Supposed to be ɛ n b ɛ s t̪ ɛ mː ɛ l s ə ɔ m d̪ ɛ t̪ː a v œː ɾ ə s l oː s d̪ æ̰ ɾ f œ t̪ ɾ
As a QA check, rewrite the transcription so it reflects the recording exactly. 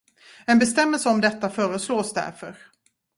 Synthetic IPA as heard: ɛ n b ɛ s t̪ ɛ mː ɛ l s ə ɔ m d̪ ɛ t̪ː a f œː ɾ ə s l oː s d̪ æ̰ ɾ f œ ɾ